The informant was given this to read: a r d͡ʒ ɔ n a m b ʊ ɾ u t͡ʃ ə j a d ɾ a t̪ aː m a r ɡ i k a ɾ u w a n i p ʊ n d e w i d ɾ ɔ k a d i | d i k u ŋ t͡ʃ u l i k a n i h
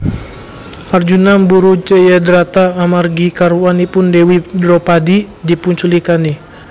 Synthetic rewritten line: a r d͡ʒ u n a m b u ɾ u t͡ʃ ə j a d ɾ a t̪ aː m a r ɡ i k a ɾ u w a n i p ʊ n d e w i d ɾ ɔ p a d i | d i p u ɲ t͡ʃ u l i k a n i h